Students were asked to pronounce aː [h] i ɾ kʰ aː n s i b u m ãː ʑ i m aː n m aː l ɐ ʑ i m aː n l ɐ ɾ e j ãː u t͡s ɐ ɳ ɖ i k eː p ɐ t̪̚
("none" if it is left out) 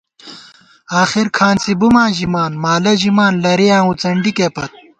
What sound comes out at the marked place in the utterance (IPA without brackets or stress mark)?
x